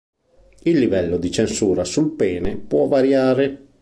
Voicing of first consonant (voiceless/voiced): voiced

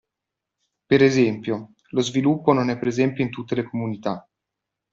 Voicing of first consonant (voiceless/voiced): voiceless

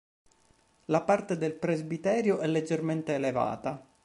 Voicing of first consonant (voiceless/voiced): voiced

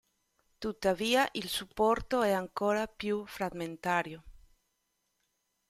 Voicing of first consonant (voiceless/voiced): voiceless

